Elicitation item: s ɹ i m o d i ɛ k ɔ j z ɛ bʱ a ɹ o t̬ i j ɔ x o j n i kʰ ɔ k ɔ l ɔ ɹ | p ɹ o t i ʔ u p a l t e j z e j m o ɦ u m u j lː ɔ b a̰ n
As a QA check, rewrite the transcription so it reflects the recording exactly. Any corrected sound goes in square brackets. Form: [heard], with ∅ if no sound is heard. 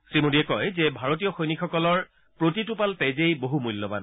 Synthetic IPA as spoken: s ɹ i m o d i ɛ k ɔ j z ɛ bʱ a ɹ o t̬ i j ɔ x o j n i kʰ ɔ k ɔ l ɔ ɹ | p ɹ o t i [t] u p a l t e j z e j [b] o ɦ u m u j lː ɔ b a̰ n